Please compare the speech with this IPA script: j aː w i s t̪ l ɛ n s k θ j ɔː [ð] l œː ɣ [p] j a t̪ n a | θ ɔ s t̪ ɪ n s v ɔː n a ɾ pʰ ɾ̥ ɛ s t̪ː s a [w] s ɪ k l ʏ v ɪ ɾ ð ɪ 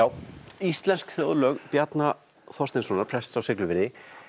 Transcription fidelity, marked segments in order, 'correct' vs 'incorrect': correct, correct, correct

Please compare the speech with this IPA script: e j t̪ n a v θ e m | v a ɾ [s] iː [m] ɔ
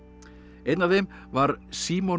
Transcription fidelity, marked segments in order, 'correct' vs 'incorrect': correct, correct

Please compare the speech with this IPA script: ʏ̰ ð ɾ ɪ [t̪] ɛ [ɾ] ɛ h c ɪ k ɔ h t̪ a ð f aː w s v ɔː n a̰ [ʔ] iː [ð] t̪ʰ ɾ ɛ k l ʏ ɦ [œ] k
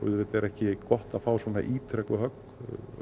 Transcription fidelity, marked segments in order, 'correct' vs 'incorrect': correct, correct, correct, incorrect: none, correct

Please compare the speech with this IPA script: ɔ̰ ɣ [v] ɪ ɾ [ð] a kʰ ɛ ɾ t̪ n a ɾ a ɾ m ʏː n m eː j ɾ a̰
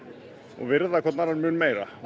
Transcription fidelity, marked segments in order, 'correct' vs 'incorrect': correct, correct

